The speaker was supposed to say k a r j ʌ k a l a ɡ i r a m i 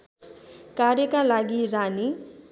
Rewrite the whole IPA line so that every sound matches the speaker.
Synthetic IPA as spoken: k a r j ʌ k a l a ɡ i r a n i